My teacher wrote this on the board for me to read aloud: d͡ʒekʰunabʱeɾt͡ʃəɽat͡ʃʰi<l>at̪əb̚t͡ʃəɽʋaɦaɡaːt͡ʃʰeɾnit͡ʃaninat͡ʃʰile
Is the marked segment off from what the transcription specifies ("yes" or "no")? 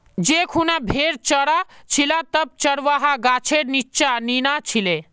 no